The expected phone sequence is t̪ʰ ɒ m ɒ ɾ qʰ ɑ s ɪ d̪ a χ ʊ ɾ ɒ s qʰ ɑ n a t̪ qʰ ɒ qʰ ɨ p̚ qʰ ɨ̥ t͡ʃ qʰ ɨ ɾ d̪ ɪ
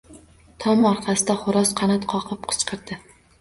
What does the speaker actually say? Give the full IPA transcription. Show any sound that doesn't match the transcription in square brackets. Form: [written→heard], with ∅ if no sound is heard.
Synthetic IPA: t̪ʰ ɒ m ɒ ɾ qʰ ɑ s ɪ d̪ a χ ʊ ɾ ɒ s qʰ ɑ n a t̪ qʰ ɒ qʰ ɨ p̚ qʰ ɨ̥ t͡ʃ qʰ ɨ ɾ d̪ ɪ